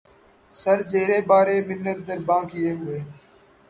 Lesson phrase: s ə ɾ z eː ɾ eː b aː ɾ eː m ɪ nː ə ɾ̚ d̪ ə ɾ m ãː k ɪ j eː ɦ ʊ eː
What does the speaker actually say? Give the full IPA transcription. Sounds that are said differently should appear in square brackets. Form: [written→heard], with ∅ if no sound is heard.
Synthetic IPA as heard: s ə ɾ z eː ɾ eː b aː ɾ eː m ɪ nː ə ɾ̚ d̪ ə ɾ [m→b] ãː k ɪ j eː ɦ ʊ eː